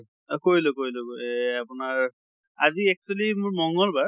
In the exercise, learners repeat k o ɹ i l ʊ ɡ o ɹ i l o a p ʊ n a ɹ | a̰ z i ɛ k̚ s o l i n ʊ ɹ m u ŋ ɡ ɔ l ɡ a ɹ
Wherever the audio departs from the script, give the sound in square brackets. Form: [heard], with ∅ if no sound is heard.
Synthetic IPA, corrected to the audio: k o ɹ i l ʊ [k] o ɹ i l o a p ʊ n a ɹ | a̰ z i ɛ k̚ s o l i [m] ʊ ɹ m [ɔ] ŋ ɡ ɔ l [b] a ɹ